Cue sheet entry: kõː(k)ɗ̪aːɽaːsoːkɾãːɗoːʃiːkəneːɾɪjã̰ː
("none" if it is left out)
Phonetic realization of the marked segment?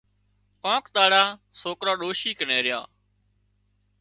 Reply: k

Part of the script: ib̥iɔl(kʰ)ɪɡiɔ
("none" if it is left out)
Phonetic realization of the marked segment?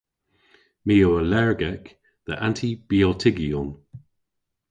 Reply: tʰ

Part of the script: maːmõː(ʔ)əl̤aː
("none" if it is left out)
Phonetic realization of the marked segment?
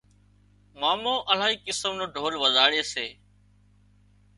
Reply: ʔ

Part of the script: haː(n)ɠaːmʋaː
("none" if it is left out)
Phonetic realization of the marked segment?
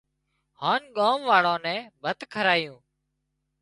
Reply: n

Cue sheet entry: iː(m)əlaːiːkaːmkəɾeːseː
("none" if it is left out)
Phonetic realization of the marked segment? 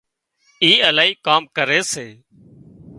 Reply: none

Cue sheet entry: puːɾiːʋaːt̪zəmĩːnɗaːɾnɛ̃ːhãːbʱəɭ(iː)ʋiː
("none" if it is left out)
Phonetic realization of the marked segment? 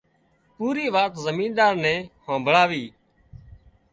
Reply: aː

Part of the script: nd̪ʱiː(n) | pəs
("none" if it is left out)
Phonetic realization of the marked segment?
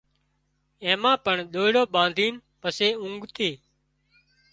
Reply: n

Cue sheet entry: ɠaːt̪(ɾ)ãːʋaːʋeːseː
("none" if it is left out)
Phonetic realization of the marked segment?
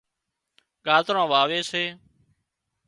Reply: ɾ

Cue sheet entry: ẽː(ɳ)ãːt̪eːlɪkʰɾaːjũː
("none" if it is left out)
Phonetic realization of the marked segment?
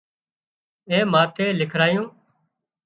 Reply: m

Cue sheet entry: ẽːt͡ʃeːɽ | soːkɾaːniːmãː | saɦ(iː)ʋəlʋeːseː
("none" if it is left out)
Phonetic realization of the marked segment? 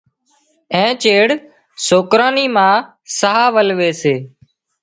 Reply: aː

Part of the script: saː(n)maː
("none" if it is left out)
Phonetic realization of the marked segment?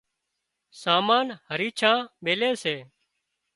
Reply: none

